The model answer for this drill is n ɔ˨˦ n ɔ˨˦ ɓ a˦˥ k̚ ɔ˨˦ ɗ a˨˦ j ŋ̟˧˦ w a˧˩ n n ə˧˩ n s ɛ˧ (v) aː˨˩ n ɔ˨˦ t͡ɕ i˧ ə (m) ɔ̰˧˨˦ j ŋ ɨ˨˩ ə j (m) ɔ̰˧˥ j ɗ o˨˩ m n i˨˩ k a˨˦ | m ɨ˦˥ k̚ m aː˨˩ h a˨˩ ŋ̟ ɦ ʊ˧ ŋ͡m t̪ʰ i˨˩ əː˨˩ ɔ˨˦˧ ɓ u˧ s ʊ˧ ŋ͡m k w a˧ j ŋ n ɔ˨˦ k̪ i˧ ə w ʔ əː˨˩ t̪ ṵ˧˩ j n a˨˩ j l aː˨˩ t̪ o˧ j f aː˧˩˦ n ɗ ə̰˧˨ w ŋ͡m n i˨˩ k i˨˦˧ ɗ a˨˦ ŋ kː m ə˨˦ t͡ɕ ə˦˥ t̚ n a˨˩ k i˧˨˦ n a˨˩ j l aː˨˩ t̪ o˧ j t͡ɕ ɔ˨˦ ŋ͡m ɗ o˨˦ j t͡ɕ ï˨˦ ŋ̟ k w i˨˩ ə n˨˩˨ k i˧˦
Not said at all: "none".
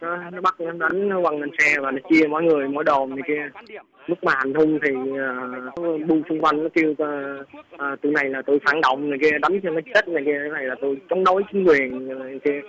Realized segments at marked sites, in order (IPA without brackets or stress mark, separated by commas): v, m, m